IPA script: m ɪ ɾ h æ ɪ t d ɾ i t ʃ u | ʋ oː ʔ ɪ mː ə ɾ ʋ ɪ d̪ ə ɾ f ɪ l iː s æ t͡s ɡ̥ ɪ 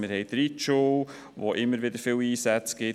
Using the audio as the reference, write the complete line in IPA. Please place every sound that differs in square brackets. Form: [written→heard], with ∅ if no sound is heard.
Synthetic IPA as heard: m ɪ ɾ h [æ→ɛ] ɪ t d ɾ i t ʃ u | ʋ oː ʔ ɪ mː ə ɾ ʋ ɪ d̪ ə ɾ f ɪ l iː s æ t͡s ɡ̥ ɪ

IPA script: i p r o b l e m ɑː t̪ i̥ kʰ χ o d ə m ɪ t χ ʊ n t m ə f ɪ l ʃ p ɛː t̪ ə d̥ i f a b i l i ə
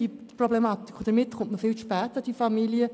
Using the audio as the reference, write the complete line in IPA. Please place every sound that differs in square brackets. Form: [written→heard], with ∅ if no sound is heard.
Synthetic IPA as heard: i p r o b l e m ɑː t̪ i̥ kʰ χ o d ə m ɪ t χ ʊ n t m ə f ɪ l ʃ p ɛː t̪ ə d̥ i f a [b→m] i l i ə

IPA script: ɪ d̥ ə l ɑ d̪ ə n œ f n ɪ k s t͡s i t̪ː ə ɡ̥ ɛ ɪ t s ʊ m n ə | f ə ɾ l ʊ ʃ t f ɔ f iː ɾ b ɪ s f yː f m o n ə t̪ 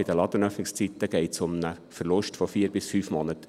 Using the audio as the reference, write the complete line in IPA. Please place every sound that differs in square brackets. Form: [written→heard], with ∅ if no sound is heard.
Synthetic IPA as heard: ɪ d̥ ə l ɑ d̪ ə n œ f n ɪ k s t͡s i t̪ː ə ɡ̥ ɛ ɪ t s ʊ m n ə | f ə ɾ l ʊ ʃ t f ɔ f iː ɾ b ɪ s f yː f m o n ə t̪

